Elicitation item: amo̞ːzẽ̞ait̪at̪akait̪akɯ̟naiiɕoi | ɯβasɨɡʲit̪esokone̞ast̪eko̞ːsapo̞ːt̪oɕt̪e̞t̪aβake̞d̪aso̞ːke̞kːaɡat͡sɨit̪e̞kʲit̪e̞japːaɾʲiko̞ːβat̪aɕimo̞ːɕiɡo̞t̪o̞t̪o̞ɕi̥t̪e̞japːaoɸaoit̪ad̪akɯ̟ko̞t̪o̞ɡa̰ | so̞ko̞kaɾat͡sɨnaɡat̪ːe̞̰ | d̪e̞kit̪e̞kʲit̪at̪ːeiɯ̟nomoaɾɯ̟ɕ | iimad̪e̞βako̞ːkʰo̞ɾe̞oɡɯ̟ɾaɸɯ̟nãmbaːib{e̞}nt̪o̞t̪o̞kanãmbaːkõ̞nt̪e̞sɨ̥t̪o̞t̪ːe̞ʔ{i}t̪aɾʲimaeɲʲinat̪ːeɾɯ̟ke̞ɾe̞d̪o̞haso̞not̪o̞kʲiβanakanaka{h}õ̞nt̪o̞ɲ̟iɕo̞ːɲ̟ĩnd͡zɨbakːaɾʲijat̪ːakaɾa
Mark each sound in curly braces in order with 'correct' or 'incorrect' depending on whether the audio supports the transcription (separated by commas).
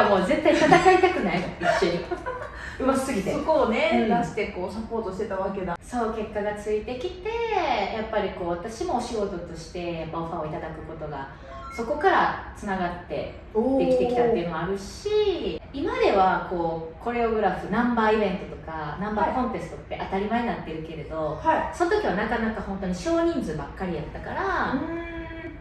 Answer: incorrect, incorrect, correct